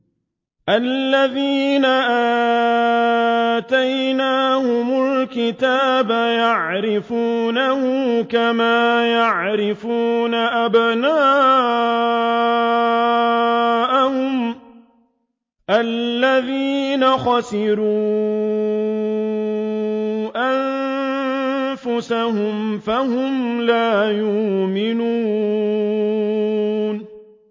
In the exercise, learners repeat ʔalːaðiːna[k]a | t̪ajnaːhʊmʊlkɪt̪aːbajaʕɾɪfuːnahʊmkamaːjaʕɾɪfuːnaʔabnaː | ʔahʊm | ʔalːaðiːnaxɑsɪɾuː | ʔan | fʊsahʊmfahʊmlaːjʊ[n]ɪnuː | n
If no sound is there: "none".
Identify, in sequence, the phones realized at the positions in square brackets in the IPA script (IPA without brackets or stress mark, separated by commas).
ʔ, m